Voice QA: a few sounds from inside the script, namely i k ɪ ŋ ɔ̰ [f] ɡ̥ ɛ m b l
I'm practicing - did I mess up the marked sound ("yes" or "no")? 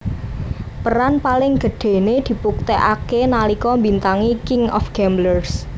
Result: no